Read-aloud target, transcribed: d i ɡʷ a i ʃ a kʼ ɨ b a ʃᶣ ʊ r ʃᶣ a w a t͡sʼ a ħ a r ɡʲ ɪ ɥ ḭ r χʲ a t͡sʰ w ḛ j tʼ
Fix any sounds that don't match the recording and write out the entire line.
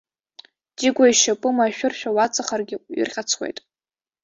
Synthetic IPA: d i ɡʷ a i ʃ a pʼ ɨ m a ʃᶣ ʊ r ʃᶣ a w a t͡sʼ a χ a r ɡʲ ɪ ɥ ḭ r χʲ a t͡sʰ w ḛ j tʼ